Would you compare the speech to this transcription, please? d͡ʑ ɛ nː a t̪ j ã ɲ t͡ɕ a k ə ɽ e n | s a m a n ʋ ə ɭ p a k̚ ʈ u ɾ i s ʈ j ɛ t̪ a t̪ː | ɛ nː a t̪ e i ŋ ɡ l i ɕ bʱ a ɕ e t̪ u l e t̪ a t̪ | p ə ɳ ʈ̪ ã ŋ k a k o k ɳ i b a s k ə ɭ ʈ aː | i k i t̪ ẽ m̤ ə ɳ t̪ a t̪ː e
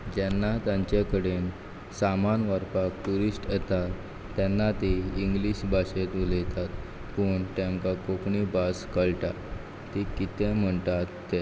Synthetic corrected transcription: d͡ʑ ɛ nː a t̪ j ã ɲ t͡ɕ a k ə ɽ e n | s a m a n ʋ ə ɾ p a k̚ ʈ u ɾ i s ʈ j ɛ t̪ a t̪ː | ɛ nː a t̪ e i ŋ ɡ l i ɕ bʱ a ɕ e t̪ u l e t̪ a t̪ | p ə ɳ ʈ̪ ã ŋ k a k o k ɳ i b a s k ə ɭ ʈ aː | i k i t̪ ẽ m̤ ə ɳ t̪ a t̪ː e